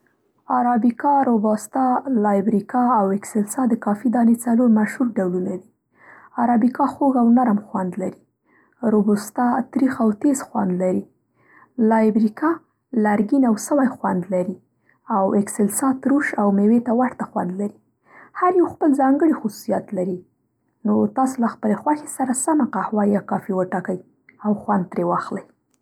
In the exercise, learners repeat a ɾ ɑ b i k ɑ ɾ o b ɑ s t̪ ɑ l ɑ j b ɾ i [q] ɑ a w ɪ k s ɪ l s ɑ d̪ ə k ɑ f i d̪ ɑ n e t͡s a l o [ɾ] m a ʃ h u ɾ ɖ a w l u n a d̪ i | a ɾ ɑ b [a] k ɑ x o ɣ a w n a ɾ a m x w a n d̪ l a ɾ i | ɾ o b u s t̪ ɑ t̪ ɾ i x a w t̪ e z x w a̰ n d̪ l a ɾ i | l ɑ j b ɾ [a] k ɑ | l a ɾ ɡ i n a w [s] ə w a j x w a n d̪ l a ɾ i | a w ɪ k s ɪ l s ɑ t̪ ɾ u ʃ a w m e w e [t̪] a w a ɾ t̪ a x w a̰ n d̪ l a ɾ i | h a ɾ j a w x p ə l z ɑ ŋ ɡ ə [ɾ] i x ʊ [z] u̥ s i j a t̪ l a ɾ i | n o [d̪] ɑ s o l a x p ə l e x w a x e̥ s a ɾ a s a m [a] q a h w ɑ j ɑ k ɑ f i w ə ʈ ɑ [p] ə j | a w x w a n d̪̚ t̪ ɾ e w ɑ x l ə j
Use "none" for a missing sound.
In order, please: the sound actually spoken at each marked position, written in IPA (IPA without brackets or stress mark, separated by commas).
k, ɾ, i, i, s, t̪, ɽ, s, t̪, a, k